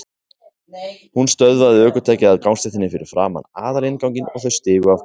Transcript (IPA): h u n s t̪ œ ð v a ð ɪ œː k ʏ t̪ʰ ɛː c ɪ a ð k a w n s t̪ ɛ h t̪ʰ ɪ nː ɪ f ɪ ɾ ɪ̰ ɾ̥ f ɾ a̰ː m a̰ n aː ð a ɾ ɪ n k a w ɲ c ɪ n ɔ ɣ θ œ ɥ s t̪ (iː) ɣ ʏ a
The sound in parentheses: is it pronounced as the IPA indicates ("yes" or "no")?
no